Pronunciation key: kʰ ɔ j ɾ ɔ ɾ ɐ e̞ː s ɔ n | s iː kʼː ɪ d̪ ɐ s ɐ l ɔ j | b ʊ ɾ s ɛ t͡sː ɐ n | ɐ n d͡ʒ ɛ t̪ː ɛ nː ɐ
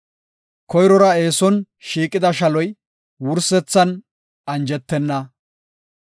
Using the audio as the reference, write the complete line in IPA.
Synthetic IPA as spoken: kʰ ɔ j ɾ ɔ ɾ ɐ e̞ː s ɔ n | ʃ iː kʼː ɪ d̪ ɐ ʃ ɐ l ɔ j | w ʊ ɾ s ɛ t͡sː ɐ n | ɐ n d͡ʒ ɛ t̪ː ɛ nː ɐ

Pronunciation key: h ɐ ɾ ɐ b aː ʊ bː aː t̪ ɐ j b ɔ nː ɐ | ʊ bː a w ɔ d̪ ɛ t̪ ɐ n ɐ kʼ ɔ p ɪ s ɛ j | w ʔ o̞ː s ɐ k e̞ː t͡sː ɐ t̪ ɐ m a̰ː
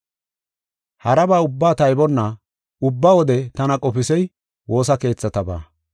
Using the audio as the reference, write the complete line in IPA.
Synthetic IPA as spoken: h ɐ ɾ ɐ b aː ʊ bː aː t̪ ɐ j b ɔ nː ɐ | ʊ bː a w ɔ d̪ ɛ t̪ ɐ n ɐ kʼ ɔ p ɪ s ɛ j | w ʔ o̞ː s ɐ k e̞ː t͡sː ɐ t̪ ɐ b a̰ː

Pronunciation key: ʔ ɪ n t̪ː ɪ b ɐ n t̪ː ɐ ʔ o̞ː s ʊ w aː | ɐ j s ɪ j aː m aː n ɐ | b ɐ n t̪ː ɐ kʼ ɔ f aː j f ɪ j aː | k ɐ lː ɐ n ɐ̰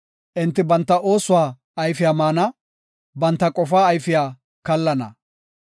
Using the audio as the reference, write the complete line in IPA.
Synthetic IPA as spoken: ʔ ɪ n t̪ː ɪ b ɐ n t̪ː ɐ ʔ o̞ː s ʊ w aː | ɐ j f ɪ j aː m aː n ɐ | b ɐ n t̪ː ɐ kʼ ɔ f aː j f ɪ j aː | k ɐ lː ɐ n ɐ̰

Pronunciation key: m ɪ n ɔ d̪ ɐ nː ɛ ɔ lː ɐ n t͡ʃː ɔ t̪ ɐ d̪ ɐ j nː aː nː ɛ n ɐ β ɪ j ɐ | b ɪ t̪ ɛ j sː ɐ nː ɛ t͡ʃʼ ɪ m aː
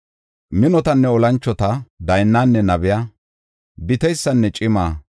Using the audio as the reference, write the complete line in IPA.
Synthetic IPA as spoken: m ɪ n ɔ t̪ ɐ nː ɛ ɔ l ɐ n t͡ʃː ɔ t̪ ɐ d̪ ɐ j nː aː nː ɛ n ɐ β ɪ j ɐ | b ɪ t̪ ɛ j sː ɐ nː ɛ t͡ʃʼ ɪ m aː

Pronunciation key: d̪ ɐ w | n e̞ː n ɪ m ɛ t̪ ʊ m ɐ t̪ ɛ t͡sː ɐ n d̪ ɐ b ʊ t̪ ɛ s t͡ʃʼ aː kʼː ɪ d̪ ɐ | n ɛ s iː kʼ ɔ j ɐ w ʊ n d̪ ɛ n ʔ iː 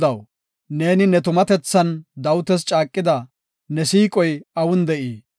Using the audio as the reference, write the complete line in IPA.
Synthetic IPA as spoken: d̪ ɐ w | n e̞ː n ɪ n ɛ t̪ ʊ m ɐ t̪ ɛ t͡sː ɐ n d̪ ɐ w ʊ t̪ ɛ s t͡ʃʼ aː kʼː ɪ d̪ ɐ | n ɛ s iː kʼ ɔ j ɐ w ʊ n d̪ ɛ ʔ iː

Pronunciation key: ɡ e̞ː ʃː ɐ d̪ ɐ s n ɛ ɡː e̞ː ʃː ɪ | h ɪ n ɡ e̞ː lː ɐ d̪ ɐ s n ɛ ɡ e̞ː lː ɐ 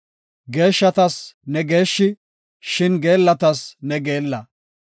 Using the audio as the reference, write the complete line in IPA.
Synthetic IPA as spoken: ɡ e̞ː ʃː ɐ t̪ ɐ s n ɛ ɡ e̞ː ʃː ɪ | ʃ ɪ n ɡ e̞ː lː ɐ t̪ ɐ s n ɛ ɡ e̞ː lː ɐ

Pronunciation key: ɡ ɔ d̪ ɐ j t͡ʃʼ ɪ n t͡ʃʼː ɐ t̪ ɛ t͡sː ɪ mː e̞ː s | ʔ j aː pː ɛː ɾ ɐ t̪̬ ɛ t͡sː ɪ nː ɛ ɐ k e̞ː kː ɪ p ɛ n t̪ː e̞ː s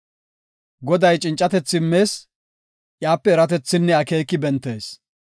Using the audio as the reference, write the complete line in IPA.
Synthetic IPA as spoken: ɡ ɔ d̪ ɐ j t͡ʃʼ ɪ n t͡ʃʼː ɐ t̪ ɛ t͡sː ɪ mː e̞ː s | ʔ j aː pː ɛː ɾ ɐ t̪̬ ɛ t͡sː ɪ nː ɛ ɐ k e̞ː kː ɪ b ɛ n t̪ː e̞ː s

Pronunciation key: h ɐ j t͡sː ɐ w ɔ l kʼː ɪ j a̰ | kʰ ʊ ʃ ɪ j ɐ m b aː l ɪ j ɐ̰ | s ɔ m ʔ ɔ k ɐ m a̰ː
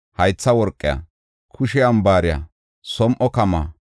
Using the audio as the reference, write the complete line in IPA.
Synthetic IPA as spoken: h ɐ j t͡sː ɐ w ɔ ɾ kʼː ɪ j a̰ | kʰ ʊ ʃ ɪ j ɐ m b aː ɾ ɪ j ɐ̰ | s ɔ m ʔ ɔ k ɐ m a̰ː

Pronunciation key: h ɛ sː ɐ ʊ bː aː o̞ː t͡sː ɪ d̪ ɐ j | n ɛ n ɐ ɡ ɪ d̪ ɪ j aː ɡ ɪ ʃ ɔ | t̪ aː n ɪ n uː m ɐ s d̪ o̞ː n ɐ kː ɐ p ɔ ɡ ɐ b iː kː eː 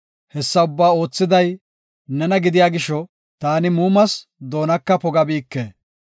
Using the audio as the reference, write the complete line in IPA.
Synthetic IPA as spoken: h ɛ sː ɐ ʊ bː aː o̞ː t͡sː ɪ d̪ ɐ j | n ɛ n ɐ ɡ ɪ d̪ ɪ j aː ɡ ɪ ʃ ɔ | t̪ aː n ɪ m uː m ɐ s d̪ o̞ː n ɐ kː ɐ p ɔ ɡ ɐ b iː kː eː

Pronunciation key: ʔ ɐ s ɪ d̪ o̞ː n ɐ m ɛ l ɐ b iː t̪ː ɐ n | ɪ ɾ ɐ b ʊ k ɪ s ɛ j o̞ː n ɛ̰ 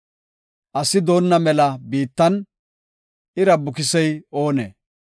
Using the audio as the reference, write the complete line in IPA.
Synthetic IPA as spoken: ʔ ɐ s ɪ d̪ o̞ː nː ɐ m ɛ l ɐ b iː t̪ː ɐ n | ɪ ɾ ɐ b ʊ k ɪ s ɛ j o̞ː n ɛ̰

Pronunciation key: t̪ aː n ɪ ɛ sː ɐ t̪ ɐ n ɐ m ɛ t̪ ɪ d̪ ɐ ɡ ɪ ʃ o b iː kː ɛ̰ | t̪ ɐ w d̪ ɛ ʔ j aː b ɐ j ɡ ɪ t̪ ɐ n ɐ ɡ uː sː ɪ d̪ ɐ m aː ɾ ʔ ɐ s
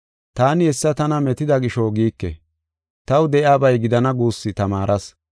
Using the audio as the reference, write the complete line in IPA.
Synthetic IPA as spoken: t̪ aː n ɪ ɛ sː ɐ t̪ ɐ n ɐ m ɛ t̪ ɪ d̪ ɐ ɡ ɪ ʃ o ɡ iː kː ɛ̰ | t̪ ɐ w d̪ ɛ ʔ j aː b ɐ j ɡ ɪ d̪ ɐ n ɐ ɡ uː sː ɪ t̪ ɐ m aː ɾ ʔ ɐ s

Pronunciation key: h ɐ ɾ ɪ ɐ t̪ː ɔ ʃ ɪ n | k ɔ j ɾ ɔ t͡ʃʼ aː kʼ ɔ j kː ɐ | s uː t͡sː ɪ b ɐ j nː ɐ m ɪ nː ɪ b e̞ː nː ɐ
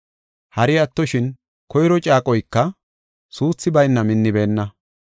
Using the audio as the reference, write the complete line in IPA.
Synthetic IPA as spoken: h ɐ ɾ ɪ ɐ t̪ː ɔ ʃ ɪ n | k ɔ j ɾ ɔ t͡ʃʼ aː kʼ ɔ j kː ɐ | s uː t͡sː ɪ b ɐ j nː ɐ m ɪ nː ɪ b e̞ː nː ɐ

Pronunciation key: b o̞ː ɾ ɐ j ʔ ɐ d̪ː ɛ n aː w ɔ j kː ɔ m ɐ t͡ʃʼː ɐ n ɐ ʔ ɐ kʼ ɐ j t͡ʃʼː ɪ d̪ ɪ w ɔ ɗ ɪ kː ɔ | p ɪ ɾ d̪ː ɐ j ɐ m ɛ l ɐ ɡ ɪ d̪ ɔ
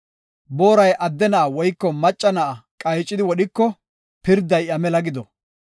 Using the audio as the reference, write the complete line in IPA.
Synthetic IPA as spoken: b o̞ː ɾ ɐ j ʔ ɐ d̪ː ɛ n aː w ɔ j kː ɔ m ɐ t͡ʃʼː ɐ n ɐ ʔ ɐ kʼ ɐ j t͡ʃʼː ɪ d̪ ɪ w ɔ ɗ ɪ kː ɔ | p ɪ ɾ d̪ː ɐ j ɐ m ɛ l ɐ ɡ ɪ d̪ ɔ

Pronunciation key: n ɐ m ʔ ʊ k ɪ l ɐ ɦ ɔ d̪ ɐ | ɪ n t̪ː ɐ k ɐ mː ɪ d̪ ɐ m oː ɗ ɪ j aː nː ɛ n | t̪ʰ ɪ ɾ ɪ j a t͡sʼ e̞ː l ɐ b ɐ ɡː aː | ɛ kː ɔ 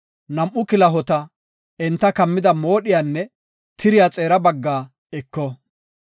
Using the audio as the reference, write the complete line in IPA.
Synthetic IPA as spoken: n ɐ m ʔ ʊ k ɪ l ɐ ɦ ɔ t̪ ɐ | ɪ n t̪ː ɐ k ɐ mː ɪ d̪ ɐ m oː ɗ ɪ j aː nː ɛ | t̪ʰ ɪ ɾ ɪ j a t͡sʼ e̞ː ɾ ɐ b ɐ ɡː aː | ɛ kː ɔ

